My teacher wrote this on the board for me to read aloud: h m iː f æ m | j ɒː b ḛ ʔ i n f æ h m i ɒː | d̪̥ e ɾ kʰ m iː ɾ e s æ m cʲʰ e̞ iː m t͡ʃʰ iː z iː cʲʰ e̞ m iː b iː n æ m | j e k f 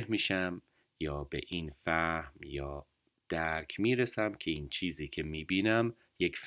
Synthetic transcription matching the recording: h m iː ʃ æ m | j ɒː b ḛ ʔ i n f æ h m j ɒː | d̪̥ æ ɾ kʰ m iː ɾ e s æ m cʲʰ e̞ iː n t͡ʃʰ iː z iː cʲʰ e̞ m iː b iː n æ m | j e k f